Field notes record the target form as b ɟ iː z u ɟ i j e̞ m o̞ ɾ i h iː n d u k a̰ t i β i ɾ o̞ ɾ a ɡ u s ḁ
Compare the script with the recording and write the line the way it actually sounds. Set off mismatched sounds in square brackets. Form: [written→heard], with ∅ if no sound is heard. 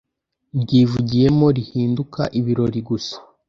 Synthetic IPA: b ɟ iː [z→v] u ɟ i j e̞ m o̞ ɾ i h iː n d u k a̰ [t→ʔ] i β i ɾ o̞ ɾ [a→i] ɡ u s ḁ